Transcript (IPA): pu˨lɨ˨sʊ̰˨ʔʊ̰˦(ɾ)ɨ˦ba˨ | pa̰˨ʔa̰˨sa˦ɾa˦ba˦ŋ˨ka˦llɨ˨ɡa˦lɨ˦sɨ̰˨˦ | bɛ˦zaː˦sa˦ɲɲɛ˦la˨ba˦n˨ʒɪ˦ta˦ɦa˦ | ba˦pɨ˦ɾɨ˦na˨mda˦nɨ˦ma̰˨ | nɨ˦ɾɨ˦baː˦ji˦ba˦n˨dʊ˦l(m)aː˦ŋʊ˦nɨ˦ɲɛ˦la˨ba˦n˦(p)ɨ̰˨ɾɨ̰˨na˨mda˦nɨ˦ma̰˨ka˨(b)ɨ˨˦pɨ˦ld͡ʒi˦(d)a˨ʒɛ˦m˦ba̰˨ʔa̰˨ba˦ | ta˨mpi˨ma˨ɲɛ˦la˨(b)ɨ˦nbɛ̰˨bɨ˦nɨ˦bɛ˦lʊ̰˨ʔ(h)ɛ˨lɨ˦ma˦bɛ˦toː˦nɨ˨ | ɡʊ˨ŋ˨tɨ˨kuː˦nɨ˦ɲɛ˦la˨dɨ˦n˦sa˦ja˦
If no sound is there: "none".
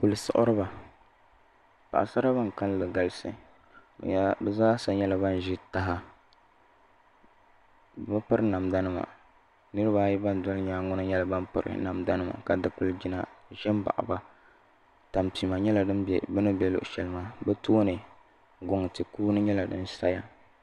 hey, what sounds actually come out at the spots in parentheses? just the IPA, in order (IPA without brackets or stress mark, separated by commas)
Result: ɾ, ɲ, p, d, n, d, ʃ